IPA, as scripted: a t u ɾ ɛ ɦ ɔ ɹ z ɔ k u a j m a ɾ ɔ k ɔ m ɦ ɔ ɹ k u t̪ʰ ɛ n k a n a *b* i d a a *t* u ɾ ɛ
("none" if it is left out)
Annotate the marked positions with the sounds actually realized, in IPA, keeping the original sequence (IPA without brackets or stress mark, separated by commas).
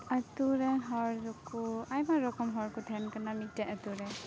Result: m, t